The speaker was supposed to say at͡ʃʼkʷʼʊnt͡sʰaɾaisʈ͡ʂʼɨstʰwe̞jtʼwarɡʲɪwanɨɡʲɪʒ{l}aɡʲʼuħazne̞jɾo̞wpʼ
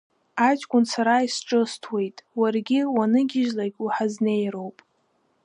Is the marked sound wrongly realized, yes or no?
no